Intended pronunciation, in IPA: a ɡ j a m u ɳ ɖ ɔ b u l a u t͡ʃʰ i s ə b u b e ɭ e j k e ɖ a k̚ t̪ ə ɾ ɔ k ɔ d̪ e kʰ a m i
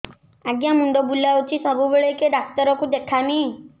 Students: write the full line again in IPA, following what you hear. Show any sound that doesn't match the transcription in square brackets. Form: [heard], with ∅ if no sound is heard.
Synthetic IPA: a ɡ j a m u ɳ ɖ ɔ b u l a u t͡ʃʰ i s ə b u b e ɭ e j k e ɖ a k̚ t̪ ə ɾ ɔ k [u] d̪ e kʰ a m i